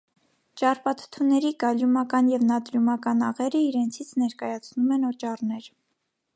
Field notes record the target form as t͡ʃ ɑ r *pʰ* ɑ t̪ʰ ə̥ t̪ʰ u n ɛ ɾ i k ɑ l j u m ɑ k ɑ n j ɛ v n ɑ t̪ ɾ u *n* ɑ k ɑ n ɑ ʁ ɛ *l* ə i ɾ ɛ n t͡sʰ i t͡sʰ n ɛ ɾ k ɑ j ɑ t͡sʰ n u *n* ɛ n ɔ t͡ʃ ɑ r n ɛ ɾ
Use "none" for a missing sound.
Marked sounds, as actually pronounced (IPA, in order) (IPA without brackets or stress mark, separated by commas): p, m, ɾ, m